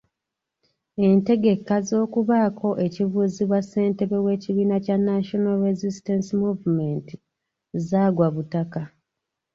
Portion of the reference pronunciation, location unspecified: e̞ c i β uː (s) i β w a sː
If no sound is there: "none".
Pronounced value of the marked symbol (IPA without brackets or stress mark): z